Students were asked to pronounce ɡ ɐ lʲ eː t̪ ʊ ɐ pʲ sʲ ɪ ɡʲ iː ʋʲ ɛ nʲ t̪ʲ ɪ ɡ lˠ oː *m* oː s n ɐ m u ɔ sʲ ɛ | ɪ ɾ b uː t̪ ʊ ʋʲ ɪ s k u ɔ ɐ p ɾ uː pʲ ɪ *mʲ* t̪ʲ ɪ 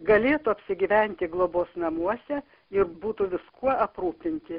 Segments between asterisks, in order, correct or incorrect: incorrect, incorrect

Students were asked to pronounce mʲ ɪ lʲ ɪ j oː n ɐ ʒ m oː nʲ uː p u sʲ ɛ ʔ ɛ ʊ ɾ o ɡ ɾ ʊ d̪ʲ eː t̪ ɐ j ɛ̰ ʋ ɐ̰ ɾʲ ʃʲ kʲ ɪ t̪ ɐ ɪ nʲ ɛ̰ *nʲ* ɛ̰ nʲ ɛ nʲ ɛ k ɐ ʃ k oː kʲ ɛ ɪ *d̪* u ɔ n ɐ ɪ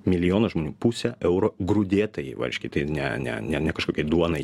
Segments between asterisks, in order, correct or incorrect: correct, correct

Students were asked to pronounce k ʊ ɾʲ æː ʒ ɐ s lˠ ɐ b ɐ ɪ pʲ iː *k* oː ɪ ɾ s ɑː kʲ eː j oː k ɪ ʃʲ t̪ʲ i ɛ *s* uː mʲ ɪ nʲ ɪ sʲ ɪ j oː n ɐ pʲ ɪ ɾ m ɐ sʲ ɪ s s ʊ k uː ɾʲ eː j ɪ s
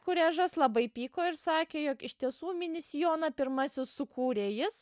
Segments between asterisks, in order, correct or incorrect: correct, correct

